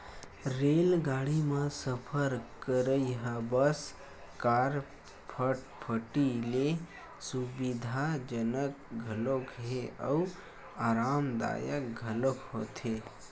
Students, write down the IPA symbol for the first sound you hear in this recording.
ɾ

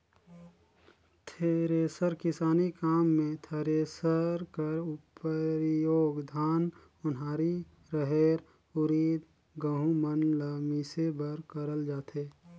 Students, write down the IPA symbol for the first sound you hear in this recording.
t̪ʰ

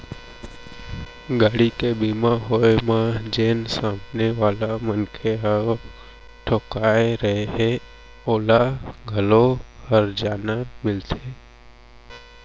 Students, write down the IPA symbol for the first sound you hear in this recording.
ɡ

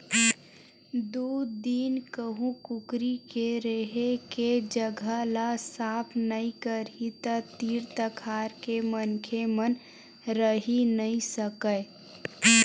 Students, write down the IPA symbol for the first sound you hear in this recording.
d̪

